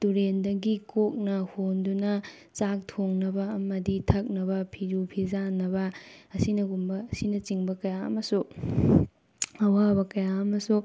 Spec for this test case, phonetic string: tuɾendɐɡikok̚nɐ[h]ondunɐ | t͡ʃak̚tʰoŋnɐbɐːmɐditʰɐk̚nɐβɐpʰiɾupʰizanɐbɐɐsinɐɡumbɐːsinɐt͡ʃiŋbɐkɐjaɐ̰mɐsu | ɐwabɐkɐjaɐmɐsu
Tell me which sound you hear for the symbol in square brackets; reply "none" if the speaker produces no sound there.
h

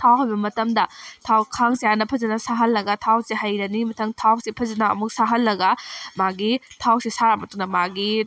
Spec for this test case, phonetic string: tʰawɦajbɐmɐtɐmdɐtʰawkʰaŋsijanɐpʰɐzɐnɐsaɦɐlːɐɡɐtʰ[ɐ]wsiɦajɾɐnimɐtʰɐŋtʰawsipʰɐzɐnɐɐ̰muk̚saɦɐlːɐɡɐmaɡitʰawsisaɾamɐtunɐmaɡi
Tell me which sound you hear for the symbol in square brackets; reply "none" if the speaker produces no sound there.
a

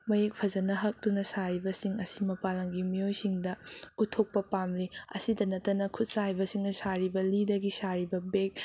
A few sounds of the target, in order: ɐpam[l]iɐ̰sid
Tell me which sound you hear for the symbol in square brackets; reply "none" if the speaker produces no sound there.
l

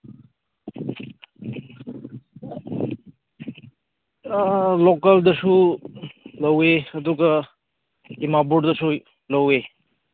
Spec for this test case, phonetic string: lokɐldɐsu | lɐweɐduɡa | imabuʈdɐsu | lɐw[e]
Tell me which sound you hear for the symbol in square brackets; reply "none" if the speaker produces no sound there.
e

